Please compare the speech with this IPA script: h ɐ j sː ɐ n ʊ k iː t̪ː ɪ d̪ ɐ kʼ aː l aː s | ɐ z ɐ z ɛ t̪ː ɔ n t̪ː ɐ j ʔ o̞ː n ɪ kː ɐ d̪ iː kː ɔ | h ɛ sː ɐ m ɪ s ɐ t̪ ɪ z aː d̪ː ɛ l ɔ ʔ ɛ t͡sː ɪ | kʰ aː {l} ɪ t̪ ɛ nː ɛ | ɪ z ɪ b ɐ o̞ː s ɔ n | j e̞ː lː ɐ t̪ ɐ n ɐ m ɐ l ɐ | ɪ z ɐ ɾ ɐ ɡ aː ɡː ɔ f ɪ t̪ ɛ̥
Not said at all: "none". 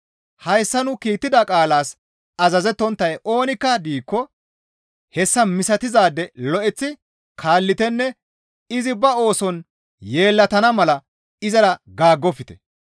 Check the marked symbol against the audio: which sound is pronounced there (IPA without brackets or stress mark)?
lː